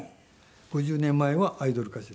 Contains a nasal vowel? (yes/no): yes